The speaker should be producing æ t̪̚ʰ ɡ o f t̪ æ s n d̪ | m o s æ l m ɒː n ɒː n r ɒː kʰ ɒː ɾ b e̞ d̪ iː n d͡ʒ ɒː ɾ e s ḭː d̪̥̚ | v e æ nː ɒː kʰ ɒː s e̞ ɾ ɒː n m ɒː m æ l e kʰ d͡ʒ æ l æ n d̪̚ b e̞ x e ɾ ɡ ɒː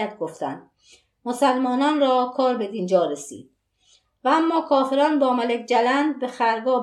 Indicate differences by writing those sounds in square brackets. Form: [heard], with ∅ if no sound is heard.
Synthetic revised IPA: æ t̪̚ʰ ɡ o f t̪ æ [∅] n d̪ | m o s æ l m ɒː n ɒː n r ɒː kʰ ɒː ɾ b e̞ d̪ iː n d͡ʒ ɒː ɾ e s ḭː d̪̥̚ | v [æ] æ [mː] ɒː kʰ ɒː [f] e̞ ɾ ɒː n [b] ɒː m æ l e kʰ d͡ʒ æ l æ n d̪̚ b e̞ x [æ] ɾ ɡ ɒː